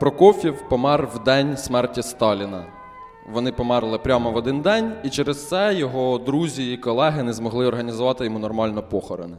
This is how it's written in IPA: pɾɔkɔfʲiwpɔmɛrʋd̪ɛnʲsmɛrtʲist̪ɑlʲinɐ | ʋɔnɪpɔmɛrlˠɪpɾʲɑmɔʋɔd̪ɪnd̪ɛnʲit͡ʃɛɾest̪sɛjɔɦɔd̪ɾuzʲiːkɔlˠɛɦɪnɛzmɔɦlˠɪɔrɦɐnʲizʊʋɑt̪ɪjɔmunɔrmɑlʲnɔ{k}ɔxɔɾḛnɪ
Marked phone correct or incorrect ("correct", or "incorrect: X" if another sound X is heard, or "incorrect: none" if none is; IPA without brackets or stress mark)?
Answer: incorrect: p